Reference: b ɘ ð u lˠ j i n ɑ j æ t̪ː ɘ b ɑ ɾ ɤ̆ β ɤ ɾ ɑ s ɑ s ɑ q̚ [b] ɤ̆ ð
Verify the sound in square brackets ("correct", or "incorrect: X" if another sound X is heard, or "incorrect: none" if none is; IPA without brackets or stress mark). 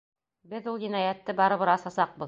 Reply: correct